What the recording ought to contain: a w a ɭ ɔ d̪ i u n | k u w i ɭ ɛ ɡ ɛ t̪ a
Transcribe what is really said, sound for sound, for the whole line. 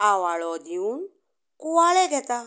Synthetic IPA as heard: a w a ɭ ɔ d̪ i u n | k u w a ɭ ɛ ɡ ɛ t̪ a